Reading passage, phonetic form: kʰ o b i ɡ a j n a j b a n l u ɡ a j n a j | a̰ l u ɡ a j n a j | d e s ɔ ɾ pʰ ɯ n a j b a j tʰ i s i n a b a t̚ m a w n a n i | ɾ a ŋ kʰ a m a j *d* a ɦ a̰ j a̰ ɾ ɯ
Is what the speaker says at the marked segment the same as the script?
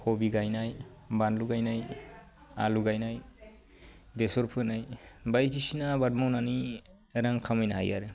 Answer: no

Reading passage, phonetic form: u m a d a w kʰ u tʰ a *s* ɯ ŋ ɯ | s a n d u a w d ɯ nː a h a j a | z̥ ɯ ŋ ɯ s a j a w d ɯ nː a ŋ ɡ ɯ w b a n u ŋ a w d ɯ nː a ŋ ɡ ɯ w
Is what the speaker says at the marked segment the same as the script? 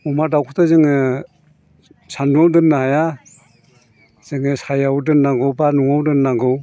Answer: no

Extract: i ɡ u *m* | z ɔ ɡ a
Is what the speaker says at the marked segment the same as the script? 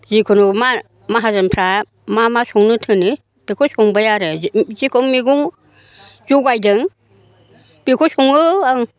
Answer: no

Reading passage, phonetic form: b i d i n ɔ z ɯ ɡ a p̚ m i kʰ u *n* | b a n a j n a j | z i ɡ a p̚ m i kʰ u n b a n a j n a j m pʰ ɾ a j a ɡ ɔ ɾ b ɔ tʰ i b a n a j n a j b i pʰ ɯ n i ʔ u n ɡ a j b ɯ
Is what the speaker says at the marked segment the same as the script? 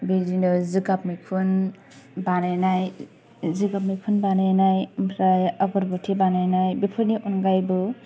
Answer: yes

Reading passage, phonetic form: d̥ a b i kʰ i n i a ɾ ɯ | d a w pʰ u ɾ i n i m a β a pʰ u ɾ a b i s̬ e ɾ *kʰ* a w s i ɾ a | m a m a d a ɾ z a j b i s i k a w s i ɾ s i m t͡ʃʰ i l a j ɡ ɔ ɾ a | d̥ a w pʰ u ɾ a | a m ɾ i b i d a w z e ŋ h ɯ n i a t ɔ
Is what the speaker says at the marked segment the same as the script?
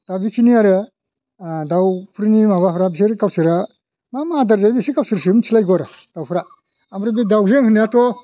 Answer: no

